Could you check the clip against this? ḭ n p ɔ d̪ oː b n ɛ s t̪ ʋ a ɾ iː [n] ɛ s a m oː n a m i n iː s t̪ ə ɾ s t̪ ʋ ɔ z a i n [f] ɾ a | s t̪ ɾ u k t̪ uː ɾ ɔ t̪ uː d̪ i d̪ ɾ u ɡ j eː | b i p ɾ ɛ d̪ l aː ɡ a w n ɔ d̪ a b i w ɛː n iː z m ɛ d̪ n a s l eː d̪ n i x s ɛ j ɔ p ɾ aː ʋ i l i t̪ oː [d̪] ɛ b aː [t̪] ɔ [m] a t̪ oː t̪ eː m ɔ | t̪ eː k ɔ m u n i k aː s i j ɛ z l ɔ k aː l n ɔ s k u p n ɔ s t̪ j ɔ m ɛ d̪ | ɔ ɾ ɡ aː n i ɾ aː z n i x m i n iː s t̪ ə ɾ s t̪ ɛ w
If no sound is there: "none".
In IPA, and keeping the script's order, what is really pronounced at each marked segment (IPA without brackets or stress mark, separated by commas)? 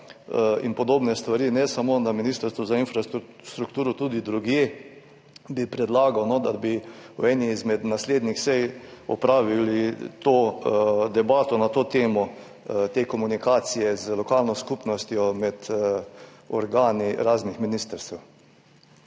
n, f, d̪, t̪, n